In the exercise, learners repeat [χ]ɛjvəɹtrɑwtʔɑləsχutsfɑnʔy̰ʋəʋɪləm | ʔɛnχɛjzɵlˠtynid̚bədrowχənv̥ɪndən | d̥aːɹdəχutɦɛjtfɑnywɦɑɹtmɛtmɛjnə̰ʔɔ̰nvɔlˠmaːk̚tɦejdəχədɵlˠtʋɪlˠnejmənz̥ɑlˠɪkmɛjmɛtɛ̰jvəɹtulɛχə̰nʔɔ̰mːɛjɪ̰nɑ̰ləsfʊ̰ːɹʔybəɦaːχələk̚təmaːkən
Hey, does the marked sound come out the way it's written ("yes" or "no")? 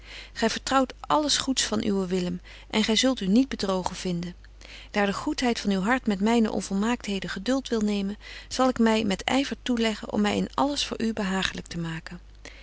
yes